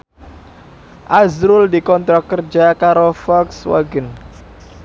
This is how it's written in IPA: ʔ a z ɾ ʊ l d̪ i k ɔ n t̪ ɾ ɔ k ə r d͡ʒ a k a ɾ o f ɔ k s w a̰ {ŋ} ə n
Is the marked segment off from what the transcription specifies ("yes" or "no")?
yes